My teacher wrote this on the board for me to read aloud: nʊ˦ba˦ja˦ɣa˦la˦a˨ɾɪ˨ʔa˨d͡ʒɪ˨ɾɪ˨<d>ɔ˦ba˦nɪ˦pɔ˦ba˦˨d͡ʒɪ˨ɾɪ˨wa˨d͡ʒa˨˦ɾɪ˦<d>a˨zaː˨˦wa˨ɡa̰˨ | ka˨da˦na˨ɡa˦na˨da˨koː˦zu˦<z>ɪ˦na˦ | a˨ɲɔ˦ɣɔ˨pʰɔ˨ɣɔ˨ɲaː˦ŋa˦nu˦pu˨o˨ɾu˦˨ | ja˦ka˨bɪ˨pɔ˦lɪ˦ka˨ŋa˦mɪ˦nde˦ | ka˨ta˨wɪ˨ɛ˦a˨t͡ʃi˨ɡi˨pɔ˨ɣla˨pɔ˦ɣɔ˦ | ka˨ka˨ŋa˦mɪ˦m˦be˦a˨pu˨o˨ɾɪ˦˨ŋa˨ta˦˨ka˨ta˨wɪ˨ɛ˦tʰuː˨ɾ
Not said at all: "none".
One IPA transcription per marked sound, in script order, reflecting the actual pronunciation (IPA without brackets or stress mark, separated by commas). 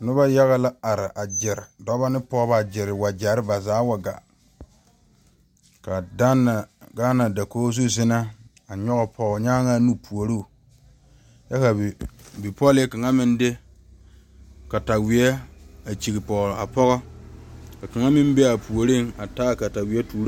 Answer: d, b, z